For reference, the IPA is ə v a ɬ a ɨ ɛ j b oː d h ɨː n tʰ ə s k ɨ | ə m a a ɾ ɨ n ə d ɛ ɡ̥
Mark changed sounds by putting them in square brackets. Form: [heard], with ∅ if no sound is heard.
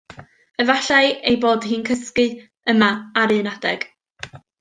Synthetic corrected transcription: ə v a ɬ a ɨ [e] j b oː d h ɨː n [kʰ] ə s k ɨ | ə m a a ɾ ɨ n [a] d ɛ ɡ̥

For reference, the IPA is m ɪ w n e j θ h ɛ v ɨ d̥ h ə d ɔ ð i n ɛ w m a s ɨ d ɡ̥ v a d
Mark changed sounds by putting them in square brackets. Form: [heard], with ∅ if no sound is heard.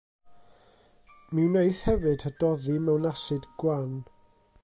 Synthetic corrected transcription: m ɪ w n e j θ h ɛ v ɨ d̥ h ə d ɔ ð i [m] ɛ w [n] a s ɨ d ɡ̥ [w] a [n]

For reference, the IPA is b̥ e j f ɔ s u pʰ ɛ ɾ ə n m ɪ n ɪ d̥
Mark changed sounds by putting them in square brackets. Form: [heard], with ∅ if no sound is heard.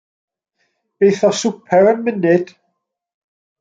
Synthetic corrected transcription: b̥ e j [θ] ɔ s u pʰ ɛ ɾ ə n m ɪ n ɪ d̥

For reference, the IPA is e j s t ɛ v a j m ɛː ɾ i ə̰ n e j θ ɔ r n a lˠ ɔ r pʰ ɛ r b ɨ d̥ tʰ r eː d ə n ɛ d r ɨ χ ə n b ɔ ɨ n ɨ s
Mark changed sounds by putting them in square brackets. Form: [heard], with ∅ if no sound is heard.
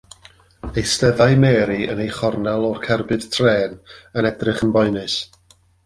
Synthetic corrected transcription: e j s t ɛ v a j m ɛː ɾ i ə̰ n e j [χ] ɔ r n a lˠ ɔ r [kʰ] ɛ r b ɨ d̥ tʰ r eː [n] ə n ɛ d r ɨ χ ə n b ɔ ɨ n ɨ s

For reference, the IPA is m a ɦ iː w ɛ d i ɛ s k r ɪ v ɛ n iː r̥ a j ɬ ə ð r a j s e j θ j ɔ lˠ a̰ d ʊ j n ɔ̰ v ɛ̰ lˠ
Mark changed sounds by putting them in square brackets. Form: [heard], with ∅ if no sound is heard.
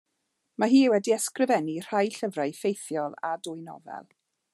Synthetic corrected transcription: m a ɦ iː w ɛ d i ɛ s k r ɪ v ɛ n [i] r̥ a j ɬ ə [v] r a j [f] e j θ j ɔ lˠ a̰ d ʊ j n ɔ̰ v ɛ̰ lˠ

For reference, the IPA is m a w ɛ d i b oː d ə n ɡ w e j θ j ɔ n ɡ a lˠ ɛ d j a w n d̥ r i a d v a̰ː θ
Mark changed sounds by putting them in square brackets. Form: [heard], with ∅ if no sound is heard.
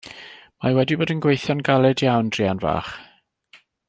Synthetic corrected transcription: m a w ɛ d i b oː d ə n ɡ w e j θ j ɔ n ɡ a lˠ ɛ d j a w n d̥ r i a [n] v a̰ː [χ]

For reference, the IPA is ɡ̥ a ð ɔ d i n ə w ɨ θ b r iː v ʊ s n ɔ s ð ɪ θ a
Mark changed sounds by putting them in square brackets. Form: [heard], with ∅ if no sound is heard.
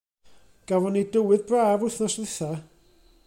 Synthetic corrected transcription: ɡ̥ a [v] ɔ [n] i [d] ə w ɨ [ð] b r [aː] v ʊ [θ] n ɔ s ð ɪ θ a

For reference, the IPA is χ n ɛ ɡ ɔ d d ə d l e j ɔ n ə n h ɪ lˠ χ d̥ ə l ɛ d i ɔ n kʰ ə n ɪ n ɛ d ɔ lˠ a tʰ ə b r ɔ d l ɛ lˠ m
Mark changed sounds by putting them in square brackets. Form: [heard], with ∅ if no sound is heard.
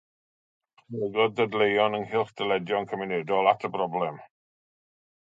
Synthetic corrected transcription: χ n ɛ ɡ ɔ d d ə d l e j ɔ n ə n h ɪ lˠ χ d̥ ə l ɛ d [j] ɔ n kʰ ə [m] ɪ n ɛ d ɔ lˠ a tʰ ə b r ɔ [b] l ɛ [∅] m

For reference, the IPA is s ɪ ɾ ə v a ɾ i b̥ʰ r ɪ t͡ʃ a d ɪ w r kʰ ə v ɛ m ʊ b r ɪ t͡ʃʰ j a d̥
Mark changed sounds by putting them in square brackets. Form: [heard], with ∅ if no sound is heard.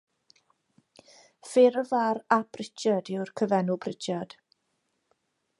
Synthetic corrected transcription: [f] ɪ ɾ ə v a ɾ [a] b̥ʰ r ɪ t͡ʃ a d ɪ w r kʰ ə v ɛ [n] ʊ b r ɪ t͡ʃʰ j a d̥

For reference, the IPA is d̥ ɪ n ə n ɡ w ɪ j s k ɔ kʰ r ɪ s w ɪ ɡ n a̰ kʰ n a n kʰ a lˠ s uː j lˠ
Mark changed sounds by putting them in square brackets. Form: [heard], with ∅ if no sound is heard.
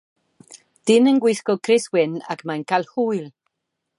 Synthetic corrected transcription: d̥ ɪ n ə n ɡ w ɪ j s k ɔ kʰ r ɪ s w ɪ [∅] n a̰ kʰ [m] a n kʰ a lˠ [h] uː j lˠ

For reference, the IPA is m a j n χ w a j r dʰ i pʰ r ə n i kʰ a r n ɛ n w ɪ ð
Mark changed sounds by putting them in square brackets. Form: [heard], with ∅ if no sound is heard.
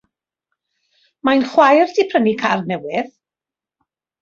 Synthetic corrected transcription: m a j n χ w a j r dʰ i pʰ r ə n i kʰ a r n ɛ [∅] w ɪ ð

